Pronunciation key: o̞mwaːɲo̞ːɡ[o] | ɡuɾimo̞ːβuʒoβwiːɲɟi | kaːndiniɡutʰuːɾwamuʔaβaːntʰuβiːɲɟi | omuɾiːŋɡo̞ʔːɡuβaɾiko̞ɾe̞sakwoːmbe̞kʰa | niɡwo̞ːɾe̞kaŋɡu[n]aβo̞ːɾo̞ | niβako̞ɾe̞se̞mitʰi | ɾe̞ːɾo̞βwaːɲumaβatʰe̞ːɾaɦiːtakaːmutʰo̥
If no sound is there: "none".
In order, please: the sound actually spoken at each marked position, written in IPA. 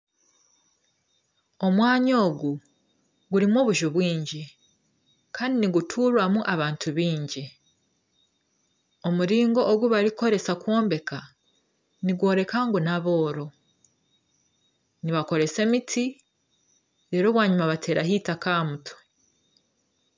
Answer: u, n

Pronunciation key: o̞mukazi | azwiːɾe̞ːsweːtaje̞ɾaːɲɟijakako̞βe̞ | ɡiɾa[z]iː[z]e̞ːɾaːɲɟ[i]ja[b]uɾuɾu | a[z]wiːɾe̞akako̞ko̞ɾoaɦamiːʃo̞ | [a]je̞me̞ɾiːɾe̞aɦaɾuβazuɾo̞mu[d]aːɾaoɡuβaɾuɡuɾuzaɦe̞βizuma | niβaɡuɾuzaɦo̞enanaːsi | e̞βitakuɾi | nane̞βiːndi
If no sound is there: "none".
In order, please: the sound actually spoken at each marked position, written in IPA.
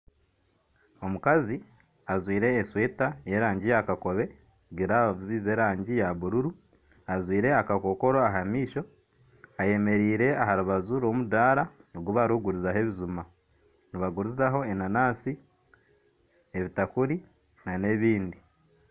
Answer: z, z, i, β, z, a, d

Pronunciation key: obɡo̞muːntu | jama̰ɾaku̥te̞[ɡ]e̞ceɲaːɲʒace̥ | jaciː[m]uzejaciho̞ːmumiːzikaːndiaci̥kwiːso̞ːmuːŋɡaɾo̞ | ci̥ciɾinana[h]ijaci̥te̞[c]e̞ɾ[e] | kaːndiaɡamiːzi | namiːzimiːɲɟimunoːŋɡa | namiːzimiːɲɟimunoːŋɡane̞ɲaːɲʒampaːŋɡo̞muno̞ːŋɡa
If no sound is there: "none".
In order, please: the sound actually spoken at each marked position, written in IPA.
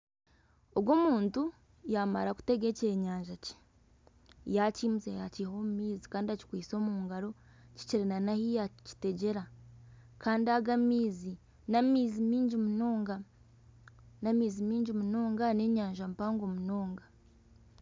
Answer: ɡ, m, h, ɟ, a

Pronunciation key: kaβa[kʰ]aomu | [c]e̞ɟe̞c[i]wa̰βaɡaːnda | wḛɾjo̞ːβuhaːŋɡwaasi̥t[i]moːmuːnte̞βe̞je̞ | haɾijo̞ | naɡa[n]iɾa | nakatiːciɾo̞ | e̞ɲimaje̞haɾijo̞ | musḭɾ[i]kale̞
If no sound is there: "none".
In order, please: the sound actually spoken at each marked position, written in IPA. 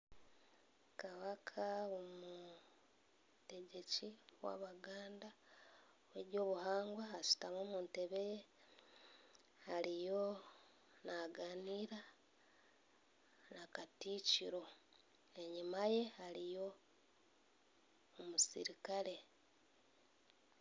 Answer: kʰ, t, i, a, n, i

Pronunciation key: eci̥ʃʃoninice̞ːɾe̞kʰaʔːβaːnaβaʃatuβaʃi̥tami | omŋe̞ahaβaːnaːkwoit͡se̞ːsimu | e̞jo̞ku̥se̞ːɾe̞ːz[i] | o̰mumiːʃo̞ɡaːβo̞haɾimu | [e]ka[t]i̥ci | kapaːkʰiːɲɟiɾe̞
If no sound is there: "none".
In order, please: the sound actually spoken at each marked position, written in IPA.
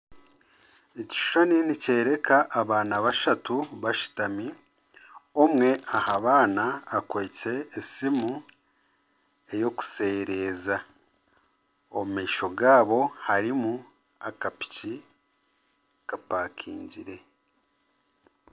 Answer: a, a, p

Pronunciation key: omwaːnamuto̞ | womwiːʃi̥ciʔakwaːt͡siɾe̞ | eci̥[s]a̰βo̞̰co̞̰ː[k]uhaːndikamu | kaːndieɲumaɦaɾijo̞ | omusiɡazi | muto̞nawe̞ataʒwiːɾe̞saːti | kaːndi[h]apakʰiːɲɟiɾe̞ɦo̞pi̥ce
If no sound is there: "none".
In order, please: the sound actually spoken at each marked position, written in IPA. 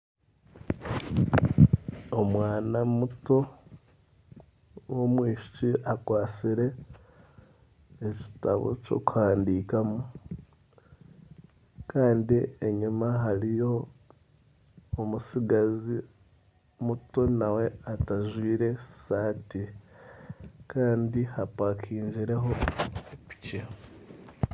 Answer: t, k, h

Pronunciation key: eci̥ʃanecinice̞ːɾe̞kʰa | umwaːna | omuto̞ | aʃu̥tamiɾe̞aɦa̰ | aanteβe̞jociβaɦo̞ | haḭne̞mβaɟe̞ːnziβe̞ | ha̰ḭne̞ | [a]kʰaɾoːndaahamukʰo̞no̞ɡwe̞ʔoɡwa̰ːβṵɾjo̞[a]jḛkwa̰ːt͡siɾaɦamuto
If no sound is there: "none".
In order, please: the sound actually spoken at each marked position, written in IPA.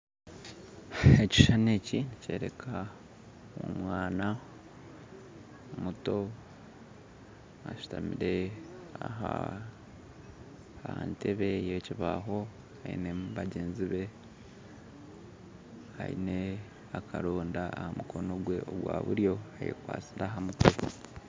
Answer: a, a

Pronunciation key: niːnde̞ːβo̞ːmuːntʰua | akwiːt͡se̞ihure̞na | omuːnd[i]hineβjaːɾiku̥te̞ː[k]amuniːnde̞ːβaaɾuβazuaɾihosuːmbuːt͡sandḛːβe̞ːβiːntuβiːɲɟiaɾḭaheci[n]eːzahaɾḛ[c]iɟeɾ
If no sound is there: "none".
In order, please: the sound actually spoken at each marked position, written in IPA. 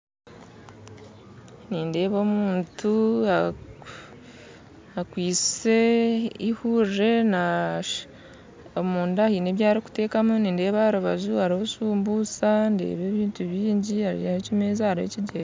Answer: a, k, m, c

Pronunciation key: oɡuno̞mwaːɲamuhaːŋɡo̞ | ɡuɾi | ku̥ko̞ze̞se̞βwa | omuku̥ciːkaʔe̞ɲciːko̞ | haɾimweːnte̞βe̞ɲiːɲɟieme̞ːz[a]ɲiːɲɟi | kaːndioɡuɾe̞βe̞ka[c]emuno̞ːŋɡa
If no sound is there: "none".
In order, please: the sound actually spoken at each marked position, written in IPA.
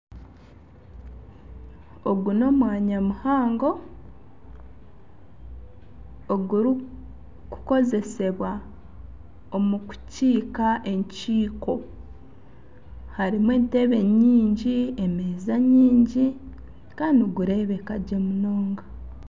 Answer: a, ɟ

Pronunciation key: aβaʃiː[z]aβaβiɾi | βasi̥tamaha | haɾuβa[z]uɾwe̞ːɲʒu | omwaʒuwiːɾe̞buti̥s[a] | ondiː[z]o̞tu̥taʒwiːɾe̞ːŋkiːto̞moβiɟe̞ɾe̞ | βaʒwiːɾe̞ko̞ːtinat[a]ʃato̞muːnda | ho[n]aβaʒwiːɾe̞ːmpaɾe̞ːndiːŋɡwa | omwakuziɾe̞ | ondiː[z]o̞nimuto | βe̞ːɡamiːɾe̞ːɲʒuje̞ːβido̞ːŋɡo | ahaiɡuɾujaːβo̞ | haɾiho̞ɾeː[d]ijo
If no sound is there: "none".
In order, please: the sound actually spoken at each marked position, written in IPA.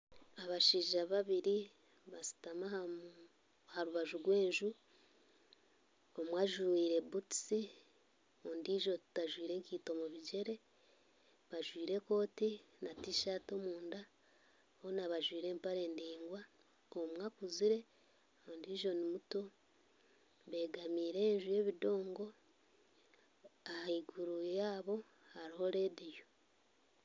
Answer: ʒ, ʒ, i, ʒ, i, n, ʒ, d

